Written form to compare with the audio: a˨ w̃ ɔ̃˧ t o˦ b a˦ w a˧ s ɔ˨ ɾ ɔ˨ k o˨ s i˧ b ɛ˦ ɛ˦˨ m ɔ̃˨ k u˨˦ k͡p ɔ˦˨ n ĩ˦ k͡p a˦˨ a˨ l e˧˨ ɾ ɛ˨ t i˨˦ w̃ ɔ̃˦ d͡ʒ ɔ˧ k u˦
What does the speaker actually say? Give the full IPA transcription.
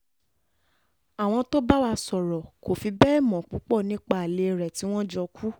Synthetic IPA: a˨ w̃ ɔ̃˧ t o˦ b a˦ w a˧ s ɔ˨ ɾ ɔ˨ k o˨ f i˧ b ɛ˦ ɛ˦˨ m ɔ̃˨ k͡p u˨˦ k͡p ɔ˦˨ n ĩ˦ k͡p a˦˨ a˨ l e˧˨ ɾ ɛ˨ t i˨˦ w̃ ɔ̃˦ d͡ʒ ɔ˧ k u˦